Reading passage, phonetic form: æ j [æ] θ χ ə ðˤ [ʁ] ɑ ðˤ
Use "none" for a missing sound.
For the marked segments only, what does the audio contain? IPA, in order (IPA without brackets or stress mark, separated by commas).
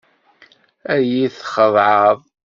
i, ʕ